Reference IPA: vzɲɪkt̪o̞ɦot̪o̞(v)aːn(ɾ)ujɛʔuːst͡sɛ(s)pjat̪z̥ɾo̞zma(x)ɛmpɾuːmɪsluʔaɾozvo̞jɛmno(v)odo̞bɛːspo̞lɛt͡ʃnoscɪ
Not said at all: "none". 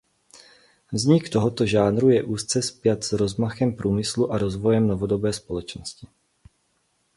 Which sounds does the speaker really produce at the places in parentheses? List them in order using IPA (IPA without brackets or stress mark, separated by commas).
ʒ, ɾ, s, x, v